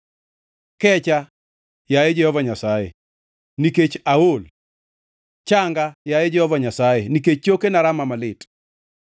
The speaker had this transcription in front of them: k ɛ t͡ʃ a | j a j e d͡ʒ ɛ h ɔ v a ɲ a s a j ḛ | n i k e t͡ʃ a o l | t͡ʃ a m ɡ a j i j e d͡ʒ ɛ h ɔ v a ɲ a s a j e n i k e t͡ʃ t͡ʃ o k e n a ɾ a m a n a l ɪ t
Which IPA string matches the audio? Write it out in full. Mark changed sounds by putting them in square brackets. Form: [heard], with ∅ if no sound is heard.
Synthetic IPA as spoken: k ɛ t͡ʃ a | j a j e d͡ʒ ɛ h ɔ v a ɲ a s a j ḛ | n i k e t͡ʃ a o l | t͡ʃ a [ŋ] ɡ a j [a] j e d͡ʒ ɛ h ɔ v a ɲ a s a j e n i k e t͡ʃ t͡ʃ o k e n a ɾ a m a [m] a l ɪ t